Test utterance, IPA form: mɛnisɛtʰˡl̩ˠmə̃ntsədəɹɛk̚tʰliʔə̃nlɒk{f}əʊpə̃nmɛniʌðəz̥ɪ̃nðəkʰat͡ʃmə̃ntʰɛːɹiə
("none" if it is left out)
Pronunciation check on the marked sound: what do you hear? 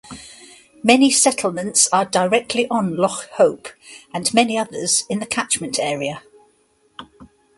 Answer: h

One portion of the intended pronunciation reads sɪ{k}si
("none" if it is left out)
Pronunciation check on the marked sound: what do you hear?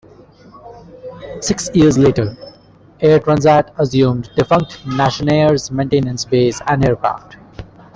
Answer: k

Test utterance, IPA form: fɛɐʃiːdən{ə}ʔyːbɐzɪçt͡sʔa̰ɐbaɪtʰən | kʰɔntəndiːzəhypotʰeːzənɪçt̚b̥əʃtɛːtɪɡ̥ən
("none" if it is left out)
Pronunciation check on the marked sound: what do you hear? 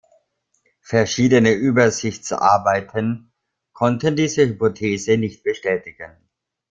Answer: ə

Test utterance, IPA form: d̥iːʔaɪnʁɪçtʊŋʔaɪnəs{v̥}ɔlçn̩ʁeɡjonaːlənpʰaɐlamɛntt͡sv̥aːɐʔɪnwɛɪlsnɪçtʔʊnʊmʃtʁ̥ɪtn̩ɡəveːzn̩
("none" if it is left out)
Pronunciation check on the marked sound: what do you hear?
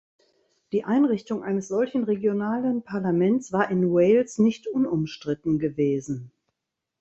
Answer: z̥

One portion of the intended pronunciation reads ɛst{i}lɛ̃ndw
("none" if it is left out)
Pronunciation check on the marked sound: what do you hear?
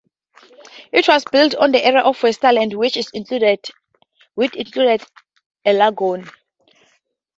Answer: a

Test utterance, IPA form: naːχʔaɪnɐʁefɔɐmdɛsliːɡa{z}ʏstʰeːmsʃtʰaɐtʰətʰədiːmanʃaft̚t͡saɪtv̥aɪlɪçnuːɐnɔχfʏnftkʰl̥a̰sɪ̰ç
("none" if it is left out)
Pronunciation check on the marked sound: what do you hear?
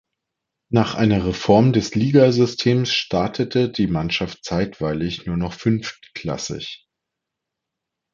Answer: z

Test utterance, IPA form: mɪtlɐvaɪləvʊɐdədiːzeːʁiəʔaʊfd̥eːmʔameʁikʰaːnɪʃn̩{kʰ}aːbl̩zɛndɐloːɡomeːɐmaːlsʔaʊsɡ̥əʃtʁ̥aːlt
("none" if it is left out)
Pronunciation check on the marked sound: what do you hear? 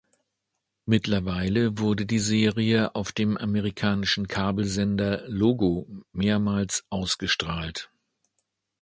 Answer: kʰ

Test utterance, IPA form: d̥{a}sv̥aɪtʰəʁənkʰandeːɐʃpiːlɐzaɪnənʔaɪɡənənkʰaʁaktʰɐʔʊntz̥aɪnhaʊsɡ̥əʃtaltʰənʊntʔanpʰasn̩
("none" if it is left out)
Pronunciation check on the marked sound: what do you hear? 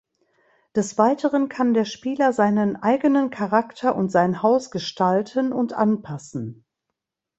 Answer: ɛ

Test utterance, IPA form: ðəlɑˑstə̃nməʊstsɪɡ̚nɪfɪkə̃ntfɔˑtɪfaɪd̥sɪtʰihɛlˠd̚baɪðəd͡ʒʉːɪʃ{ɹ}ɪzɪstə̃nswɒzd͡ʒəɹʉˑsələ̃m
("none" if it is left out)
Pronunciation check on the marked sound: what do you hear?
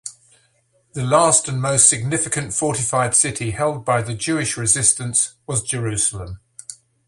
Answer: ɹ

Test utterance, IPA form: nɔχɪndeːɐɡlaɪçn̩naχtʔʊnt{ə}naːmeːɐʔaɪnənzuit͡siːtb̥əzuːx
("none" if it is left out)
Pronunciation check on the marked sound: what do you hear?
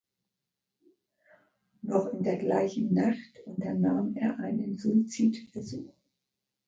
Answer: ɐ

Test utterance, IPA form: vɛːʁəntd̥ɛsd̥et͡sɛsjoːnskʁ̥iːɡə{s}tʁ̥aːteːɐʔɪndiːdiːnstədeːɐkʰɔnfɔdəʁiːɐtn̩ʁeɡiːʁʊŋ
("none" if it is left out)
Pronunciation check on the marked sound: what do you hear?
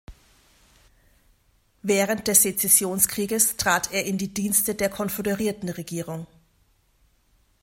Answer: s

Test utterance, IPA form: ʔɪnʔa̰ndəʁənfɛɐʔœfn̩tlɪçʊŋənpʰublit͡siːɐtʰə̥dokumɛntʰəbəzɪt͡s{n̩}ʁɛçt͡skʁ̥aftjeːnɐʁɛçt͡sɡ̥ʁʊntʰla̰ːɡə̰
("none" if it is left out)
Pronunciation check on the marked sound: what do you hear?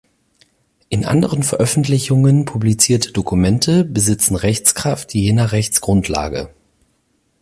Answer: n̩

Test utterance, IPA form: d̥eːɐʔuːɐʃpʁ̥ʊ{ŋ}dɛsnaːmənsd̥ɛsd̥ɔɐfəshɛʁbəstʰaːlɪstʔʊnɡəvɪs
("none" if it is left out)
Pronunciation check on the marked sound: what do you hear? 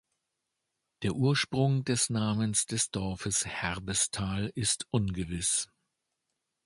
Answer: ŋ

